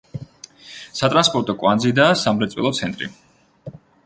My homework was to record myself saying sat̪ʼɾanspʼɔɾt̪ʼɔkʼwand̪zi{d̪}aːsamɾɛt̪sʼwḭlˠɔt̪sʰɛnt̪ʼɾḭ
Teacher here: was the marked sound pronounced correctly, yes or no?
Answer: yes